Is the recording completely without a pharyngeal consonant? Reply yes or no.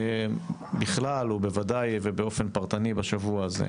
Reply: yes